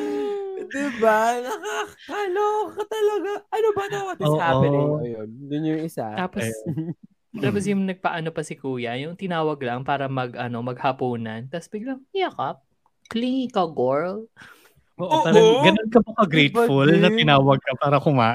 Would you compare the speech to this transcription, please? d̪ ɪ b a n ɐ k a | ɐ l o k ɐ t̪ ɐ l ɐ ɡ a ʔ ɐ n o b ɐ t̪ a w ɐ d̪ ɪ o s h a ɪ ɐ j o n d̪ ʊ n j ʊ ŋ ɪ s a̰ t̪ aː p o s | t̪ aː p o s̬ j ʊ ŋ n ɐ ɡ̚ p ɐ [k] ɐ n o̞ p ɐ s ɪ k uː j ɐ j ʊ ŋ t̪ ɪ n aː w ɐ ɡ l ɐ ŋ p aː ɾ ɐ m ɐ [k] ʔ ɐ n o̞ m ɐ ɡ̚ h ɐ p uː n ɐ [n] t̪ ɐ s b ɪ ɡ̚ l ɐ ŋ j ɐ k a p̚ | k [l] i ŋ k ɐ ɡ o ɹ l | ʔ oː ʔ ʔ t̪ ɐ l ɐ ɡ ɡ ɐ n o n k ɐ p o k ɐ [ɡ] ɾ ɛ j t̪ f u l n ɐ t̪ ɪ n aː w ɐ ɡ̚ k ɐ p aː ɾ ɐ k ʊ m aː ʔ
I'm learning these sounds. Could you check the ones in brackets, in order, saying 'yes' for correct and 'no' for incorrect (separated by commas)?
no, no, yes, yes, yes